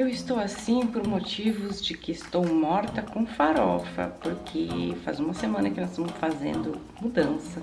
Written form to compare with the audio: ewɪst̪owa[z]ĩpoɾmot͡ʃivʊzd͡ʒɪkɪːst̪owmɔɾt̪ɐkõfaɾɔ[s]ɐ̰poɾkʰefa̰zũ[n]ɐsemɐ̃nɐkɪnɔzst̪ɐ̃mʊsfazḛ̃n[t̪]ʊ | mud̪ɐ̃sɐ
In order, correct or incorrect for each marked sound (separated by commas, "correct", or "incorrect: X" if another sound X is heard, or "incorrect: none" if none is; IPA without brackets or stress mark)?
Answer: incorrect: s, incorrect: f, incorrect: m, incorrect: d̪